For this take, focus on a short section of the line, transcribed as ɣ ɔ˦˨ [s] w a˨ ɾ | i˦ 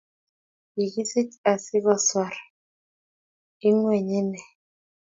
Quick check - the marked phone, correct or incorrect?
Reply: correct